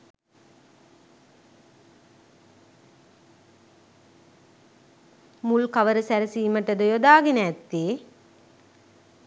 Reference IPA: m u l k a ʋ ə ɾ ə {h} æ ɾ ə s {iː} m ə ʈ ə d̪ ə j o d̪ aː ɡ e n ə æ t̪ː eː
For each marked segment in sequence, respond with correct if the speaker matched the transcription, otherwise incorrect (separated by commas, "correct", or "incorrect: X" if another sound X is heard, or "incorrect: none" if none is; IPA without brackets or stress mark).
incorrect: s, correct